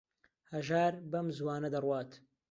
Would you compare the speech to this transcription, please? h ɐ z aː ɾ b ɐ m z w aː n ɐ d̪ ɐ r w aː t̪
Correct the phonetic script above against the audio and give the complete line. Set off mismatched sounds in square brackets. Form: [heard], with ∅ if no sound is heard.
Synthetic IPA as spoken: h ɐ [ʒ] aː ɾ b ɐ m z w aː n ɐ d̪ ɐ r w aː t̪